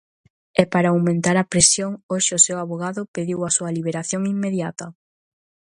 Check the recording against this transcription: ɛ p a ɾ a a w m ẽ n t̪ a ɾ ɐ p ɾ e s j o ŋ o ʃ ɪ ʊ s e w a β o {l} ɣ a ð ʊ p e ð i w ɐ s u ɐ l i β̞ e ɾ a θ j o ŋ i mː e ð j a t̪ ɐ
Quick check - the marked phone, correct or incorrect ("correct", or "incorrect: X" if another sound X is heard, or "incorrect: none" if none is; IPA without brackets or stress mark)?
incorrect: none